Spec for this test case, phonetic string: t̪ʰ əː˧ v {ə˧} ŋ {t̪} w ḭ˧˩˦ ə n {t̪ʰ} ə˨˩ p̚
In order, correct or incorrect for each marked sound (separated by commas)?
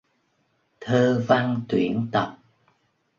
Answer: incorrect, correct, incorrect